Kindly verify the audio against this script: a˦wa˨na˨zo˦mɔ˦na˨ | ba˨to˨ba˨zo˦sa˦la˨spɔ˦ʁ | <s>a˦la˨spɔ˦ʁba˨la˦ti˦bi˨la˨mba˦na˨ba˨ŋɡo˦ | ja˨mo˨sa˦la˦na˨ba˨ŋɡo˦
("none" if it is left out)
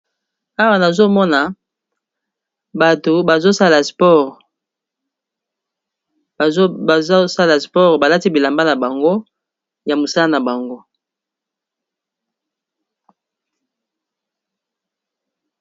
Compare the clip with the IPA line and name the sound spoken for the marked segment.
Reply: s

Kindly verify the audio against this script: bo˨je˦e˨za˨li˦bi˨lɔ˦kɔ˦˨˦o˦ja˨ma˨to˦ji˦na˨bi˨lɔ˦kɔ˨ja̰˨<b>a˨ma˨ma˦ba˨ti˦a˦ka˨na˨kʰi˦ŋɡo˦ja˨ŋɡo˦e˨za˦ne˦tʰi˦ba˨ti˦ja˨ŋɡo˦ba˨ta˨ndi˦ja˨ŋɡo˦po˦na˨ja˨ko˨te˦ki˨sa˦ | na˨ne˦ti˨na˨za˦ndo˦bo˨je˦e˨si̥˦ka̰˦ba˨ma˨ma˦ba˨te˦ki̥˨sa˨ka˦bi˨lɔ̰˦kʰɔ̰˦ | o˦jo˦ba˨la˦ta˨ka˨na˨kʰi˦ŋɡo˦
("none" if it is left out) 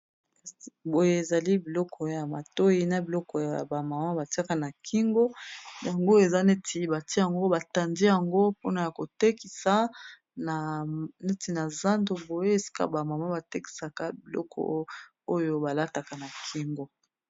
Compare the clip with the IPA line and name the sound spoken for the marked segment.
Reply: b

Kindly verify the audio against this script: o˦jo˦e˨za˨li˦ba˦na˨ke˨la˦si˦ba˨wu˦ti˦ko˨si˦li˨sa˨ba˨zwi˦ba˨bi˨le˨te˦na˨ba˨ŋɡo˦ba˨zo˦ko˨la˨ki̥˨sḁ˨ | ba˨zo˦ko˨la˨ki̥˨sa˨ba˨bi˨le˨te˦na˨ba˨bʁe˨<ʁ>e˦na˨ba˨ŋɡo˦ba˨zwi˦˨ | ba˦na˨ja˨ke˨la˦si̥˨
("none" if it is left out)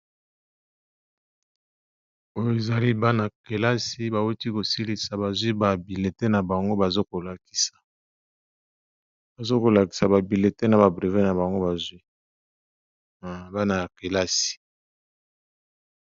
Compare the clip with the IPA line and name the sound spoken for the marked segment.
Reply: v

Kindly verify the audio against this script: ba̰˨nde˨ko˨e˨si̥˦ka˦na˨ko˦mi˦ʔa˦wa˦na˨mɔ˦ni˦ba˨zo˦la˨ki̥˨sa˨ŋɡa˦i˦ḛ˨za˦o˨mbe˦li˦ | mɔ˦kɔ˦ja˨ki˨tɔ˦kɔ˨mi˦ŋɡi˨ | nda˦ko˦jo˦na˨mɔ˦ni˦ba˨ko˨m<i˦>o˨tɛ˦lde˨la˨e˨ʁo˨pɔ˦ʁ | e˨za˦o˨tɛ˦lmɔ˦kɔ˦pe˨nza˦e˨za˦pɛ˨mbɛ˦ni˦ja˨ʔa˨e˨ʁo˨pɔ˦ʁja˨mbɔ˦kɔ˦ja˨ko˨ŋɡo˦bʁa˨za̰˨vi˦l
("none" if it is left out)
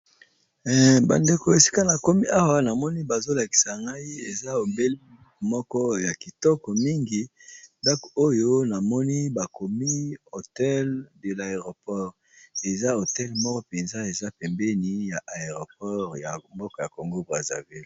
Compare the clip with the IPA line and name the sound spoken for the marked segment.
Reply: i˦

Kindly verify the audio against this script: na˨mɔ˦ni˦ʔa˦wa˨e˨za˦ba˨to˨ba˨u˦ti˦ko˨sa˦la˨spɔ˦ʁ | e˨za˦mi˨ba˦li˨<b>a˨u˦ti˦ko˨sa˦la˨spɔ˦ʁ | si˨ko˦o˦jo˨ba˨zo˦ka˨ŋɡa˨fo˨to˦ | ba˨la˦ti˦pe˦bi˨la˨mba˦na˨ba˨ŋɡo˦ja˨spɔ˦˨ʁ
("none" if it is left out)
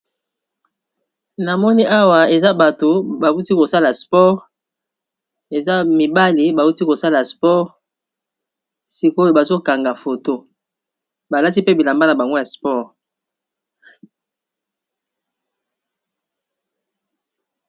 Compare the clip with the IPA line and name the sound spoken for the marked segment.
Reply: b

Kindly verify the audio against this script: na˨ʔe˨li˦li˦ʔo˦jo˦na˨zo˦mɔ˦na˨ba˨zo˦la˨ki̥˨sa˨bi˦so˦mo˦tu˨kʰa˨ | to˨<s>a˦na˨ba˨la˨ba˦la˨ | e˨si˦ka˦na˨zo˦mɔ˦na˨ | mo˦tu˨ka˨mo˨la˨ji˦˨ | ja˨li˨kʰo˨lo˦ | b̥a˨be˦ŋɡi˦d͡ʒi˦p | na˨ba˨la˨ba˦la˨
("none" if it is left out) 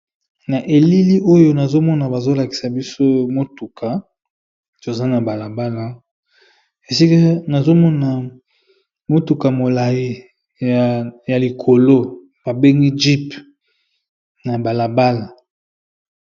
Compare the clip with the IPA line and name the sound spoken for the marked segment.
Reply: z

